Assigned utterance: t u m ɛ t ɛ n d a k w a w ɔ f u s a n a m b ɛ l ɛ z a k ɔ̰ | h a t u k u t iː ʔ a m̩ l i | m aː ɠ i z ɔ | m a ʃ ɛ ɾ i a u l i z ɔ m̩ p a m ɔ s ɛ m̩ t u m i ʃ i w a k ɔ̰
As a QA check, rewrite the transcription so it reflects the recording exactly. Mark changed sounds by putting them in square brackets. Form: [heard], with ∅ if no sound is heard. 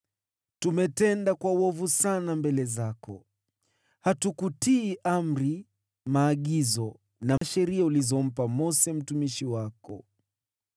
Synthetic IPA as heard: t u m ɛ t ɛ n d a k w a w ɔ [v] u s a n a m b ɛ l ɛ z a k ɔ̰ | h a t u k u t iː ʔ a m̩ [ɾ] i | m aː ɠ i z ɔ | [n] a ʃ ɛ ɾ i a u l i z ɔ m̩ p a m ɔ s ɛ m̩ t u m i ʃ i w a k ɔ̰